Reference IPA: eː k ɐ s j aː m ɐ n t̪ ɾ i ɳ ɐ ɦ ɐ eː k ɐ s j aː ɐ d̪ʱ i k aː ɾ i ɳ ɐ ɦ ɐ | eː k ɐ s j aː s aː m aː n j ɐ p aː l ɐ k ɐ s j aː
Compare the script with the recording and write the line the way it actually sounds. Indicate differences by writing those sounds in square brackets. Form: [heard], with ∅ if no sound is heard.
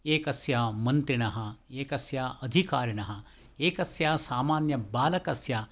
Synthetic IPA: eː k ɐ s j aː m ɐ n t̪ ɾ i ɳ ɐ ɦ ɐ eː k ɐ s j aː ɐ d̪ʱ i k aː ɾ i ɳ ɐ ɦ ɐ | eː k ɐ s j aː s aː m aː n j ɐ [b] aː l ɐ k ɐ s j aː